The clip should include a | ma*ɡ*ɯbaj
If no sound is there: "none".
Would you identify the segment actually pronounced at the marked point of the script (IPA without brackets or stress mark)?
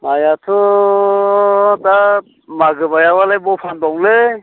ɡ